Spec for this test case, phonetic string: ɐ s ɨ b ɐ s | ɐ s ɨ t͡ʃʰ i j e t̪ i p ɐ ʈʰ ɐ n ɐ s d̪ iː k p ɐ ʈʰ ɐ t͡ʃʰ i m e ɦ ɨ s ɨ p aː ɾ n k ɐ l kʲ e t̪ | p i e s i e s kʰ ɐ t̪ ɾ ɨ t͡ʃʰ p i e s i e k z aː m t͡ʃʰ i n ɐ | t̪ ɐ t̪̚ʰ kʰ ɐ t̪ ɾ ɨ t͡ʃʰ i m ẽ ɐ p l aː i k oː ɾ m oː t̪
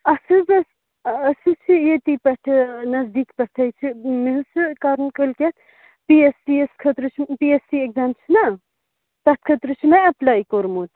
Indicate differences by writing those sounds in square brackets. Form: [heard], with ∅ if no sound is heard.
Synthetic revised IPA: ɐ s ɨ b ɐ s | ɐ s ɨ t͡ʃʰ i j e t̪ i p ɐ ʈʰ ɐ n ɐ [z] d̪ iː k p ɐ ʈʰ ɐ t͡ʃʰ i m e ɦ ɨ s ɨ [k] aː ɾ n k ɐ l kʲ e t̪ | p i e s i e s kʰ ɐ t̪ ɾ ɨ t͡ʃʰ p i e s i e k z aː m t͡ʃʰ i n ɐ | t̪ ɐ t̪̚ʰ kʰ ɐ t̪ ɾ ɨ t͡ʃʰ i m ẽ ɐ p l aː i k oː ɾ m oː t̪